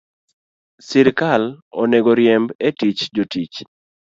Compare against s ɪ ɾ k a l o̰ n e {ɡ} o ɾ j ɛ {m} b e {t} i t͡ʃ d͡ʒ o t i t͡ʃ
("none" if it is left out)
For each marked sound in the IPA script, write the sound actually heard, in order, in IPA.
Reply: ɡ, m, t

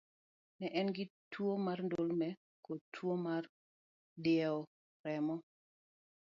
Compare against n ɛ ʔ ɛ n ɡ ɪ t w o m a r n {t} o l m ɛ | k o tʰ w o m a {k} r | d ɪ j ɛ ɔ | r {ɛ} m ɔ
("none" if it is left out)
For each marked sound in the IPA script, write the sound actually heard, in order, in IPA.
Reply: d, none, ɛ

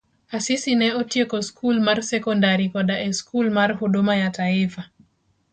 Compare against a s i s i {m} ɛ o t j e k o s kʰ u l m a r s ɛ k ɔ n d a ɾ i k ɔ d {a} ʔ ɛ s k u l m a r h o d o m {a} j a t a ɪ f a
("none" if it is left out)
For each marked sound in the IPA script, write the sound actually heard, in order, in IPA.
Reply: n, a, a

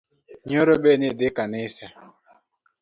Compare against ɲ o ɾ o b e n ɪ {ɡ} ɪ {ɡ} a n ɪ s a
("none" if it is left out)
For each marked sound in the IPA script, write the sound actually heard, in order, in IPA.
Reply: d, k

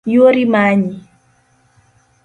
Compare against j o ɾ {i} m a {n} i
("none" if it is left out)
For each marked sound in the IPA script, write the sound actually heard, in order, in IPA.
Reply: i, ɲ

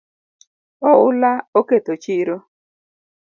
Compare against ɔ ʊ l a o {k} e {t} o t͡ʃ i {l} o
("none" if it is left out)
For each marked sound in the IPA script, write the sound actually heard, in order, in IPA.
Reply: k, t, ɾ

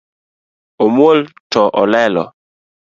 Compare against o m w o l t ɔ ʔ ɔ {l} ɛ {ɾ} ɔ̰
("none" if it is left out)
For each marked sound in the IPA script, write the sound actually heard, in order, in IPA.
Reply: l, l

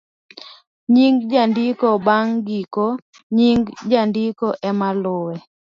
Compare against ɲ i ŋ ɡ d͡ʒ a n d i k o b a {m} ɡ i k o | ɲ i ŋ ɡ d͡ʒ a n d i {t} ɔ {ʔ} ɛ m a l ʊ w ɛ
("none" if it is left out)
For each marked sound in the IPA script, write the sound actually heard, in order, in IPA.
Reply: ŋ, k, ʔ

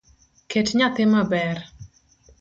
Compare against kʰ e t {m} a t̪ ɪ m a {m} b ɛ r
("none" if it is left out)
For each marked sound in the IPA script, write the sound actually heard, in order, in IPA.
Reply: ɲ, none

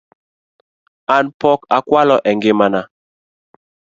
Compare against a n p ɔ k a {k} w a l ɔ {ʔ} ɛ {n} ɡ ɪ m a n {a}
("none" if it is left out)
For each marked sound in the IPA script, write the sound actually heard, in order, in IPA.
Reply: k, ʔ, ŋ, a

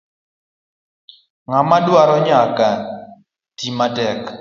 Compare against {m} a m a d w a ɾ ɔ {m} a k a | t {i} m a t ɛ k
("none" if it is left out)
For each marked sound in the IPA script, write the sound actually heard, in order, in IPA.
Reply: ŋ, ɲ, i

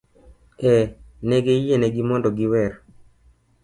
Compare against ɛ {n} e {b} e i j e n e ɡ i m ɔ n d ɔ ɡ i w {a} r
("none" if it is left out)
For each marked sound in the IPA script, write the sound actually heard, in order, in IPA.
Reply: n, ɡ, ɛ

